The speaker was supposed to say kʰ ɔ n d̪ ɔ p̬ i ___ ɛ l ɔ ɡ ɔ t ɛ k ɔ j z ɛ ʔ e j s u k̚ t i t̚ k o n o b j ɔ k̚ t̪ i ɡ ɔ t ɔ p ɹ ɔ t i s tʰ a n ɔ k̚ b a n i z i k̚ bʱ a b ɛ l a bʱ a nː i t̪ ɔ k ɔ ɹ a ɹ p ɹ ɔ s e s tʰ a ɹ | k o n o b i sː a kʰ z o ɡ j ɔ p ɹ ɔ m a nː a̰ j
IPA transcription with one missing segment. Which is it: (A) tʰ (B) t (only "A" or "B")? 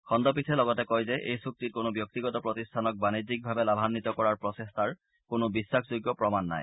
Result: A